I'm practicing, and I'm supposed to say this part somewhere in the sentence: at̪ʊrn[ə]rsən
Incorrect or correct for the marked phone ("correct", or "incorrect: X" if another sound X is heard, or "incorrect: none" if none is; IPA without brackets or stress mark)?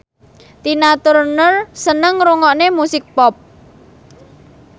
correct